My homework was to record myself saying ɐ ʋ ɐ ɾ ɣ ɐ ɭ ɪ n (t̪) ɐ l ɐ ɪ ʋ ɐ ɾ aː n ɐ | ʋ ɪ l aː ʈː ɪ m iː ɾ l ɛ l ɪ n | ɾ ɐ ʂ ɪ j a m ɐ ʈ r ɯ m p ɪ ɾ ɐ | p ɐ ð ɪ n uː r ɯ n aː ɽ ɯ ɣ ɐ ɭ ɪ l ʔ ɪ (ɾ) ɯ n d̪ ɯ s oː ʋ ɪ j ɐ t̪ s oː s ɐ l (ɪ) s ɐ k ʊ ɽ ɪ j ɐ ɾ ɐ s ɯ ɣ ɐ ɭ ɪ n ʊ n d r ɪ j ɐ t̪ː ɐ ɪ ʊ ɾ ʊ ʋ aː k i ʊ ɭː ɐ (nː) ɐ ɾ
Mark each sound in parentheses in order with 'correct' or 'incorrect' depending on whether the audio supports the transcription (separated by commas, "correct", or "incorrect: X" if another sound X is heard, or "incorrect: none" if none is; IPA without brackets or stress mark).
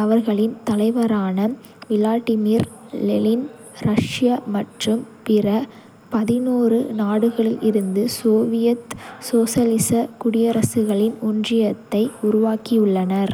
correct, correct, correct, incorrect: n